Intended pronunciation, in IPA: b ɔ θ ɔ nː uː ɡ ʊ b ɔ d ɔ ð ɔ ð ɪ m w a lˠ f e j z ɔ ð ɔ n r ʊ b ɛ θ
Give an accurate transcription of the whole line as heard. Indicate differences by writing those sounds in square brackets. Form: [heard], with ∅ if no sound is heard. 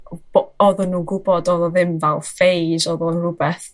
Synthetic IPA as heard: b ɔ [ð] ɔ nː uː ɡ ʊ b ɔ d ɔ ð ɔ ð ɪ m [v] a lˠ f e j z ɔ ð ɔ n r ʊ b ɛ θ